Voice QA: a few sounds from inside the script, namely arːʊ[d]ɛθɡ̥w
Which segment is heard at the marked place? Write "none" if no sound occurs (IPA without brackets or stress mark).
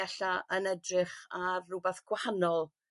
b